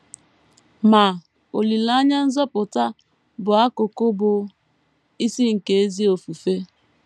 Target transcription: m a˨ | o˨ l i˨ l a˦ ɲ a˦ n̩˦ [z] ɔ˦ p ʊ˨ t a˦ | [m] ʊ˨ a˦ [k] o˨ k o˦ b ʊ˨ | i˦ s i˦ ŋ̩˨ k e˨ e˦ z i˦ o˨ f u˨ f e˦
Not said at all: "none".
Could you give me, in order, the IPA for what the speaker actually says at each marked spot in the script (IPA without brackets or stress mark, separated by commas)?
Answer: z, b, k